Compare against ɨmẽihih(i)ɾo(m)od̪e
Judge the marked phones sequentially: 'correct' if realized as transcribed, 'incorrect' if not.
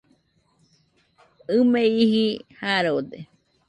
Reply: incorrect: a, incorrect: none

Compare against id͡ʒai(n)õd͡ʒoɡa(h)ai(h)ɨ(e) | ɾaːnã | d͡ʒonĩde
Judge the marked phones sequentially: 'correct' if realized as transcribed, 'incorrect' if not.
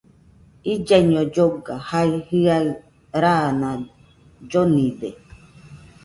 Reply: incorrect: ɲ, correct, correct, incorrect: a

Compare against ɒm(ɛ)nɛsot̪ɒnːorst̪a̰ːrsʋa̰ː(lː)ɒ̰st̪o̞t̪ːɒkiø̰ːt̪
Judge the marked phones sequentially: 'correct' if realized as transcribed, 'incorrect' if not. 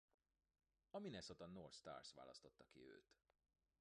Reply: incorrect: i, incorrect: l

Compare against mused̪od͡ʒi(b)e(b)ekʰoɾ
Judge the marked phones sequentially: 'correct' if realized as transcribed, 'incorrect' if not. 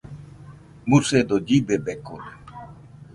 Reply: correct, correct

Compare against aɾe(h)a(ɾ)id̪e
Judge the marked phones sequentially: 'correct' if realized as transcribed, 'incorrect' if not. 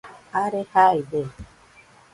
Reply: correct, incorrect: none

